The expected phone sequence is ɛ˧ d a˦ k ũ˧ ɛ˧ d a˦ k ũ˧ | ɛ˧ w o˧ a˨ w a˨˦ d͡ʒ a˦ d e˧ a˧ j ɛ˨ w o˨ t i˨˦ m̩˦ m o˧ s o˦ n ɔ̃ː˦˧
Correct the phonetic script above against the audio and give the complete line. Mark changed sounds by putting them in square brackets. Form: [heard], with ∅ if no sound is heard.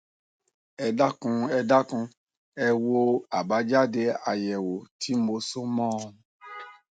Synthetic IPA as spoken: ɛ˧ d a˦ k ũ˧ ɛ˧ d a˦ k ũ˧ | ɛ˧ w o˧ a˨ [b] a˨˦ d͡ʒ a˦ d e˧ a˧ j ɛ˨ w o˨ t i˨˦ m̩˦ m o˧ s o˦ [m] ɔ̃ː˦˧